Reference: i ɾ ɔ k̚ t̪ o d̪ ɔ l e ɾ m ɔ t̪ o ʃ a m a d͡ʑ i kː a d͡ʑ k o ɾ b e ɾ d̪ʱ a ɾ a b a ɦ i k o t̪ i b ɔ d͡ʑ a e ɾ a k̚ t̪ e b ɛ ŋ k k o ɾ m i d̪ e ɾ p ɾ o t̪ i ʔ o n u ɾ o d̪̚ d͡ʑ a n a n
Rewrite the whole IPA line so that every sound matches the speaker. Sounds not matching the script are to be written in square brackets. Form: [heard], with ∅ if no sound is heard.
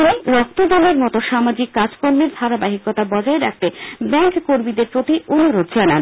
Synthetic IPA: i ɾ ɔ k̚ t̪ o d̪ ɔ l e ɾ m ɔ t̪ o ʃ a m a d͡ʑ i kː a d͡ʑ k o ɾ [m] e ɾ d̪ʱ a ɾ a b a ɦ i k o t̪ [a] b ɔ d͡ʑ a e ɾ a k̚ t̪ e b ɛ ŋ k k o ɾ m i d̪ e ɾ p ɾ o t̪ i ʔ o n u ɾ o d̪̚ d͡ʑ a n a n